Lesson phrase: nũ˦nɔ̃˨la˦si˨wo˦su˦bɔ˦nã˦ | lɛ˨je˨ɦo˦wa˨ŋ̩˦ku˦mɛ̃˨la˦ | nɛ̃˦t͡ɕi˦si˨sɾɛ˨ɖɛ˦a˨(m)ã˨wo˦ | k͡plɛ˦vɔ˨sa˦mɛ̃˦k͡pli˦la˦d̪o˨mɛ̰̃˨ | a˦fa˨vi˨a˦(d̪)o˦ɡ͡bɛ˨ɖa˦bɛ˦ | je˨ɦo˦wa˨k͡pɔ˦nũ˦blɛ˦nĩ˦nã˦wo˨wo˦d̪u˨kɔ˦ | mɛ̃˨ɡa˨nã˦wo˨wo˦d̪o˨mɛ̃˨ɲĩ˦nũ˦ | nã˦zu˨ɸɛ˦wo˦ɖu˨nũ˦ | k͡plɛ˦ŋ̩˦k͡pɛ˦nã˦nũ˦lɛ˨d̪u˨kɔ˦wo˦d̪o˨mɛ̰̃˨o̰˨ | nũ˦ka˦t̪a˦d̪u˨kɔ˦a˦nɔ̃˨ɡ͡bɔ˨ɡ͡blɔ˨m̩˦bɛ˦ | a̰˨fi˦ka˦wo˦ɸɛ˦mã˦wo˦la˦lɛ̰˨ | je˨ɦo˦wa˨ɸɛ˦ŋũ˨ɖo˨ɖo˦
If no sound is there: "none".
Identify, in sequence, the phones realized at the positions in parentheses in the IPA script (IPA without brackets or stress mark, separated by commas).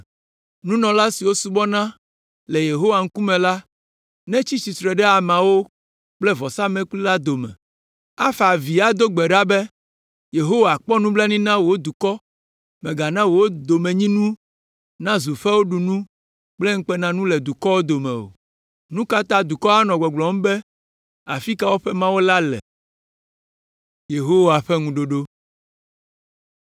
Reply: m, d̪